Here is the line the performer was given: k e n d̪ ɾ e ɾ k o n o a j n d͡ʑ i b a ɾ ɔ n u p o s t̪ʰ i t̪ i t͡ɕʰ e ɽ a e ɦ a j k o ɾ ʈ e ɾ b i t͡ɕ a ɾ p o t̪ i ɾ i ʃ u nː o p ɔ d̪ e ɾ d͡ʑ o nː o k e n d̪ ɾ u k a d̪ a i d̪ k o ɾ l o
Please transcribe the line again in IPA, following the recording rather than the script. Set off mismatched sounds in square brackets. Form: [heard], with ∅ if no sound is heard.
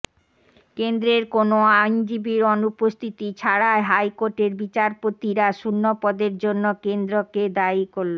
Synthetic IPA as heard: k e n d̪ ɾ e ɾ k o n o a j n d͡ʑ i b [i] ɾ ɔ n u p o s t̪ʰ i t̪ i t͡ɕʰ [a] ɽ a e ɦ a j k o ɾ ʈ e ɾ b i t͡ɕ a ɾ p o t̪ i ɾ [a] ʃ u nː o p ɔ d̪ e ɾ d͡ʑ o nː o k e n d̪ ɾ [o] k [e] d̪ a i [∅] k o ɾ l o